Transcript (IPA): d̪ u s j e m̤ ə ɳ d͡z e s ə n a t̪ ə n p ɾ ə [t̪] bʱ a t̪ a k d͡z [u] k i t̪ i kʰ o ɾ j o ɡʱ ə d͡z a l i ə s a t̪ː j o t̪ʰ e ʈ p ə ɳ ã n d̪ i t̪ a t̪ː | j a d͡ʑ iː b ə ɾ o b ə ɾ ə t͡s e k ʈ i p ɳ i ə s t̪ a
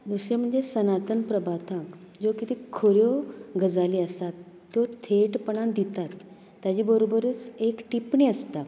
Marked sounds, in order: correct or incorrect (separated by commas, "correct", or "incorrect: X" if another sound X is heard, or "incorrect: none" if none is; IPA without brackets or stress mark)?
incorrect: none, incorrect: o